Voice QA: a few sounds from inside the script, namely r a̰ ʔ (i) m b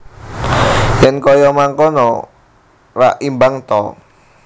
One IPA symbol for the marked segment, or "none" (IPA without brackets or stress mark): i